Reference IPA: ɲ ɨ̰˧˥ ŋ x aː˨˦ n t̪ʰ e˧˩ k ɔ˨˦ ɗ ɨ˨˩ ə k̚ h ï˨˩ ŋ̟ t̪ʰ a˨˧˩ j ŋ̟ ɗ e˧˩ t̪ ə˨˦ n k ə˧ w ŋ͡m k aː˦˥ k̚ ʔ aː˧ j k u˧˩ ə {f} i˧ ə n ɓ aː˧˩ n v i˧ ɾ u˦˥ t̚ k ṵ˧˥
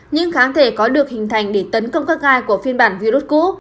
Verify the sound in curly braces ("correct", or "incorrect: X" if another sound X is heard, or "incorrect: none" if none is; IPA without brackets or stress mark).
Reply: correct